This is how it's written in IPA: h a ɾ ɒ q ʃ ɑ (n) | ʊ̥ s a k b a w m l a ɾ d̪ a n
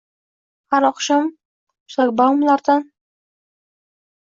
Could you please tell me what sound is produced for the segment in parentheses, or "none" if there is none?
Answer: m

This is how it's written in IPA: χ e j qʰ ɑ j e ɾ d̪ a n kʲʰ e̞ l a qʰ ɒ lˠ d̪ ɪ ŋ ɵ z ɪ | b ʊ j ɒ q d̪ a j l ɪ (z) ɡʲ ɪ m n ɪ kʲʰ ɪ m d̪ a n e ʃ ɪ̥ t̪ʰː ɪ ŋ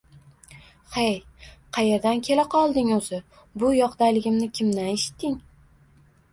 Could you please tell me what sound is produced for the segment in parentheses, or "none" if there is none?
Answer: none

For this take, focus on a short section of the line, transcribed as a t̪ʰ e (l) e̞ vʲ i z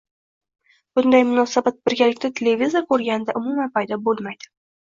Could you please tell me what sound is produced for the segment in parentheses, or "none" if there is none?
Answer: l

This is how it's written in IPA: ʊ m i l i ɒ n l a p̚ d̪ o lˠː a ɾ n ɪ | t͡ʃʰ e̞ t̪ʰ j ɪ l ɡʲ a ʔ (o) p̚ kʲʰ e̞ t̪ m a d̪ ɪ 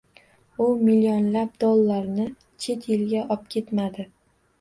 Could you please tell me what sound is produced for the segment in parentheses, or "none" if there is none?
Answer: ɒ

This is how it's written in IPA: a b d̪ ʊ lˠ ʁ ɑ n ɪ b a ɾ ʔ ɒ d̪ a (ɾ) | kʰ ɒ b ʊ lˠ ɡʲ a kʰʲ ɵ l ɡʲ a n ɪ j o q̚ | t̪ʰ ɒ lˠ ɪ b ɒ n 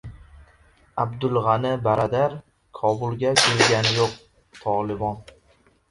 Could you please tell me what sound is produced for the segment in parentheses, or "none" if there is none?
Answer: ɾ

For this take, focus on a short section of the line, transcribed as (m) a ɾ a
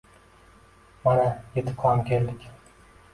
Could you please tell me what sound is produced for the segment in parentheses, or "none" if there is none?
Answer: m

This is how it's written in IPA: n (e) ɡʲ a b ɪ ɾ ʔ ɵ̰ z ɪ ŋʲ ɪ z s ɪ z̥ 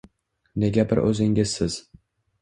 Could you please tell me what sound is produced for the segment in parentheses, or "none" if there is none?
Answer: e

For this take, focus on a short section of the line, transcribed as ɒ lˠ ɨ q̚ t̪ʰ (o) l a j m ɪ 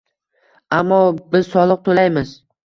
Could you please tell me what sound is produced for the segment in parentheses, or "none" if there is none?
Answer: o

